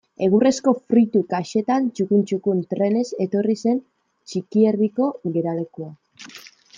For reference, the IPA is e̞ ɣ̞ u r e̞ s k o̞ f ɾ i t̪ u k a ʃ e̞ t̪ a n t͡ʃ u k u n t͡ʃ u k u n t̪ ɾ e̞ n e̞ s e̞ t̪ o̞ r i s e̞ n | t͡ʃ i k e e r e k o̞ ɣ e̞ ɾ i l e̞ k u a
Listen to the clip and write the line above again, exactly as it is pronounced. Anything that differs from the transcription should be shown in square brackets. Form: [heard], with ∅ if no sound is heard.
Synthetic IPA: e̞ ɣ̞ u r e̞ s k o̞ f ɾ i t̪ u k a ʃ e̞ t̪ a n t͡ʃ u k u n t͡ʃ u k u n t̪ ɾ e̞ n e̞ s e̞ t̪ o̞ r i s e̞ n | t͡ʃ i k [i] e r [i] k o̞ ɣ e̞ ɾ [a] l e̞ k u a